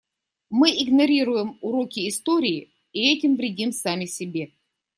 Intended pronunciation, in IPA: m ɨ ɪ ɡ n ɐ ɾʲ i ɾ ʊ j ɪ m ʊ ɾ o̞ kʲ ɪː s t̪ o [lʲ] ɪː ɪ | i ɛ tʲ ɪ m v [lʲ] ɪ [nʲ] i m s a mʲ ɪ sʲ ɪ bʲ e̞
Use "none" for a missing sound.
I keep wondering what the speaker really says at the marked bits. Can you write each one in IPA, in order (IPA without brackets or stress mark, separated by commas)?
ɾʲ, ɾʲ, dʲ